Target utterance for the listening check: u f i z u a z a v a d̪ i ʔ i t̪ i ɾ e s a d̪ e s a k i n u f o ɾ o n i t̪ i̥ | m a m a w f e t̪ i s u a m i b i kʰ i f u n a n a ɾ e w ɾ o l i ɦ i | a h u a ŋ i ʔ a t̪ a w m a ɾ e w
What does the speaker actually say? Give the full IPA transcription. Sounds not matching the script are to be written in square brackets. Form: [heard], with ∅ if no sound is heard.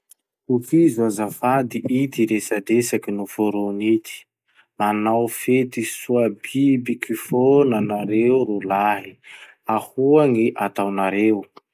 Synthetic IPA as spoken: u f i z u a z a [f] a d̪ i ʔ i t̪ i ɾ e s a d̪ e s a k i n u f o ɾ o n i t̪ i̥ | m a [n] a w f e t̪ i s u a [b] i b i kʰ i f [o] n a n a ɾ e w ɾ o l [a] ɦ i | a h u a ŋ i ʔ a t̪ a w [n] a ɾ e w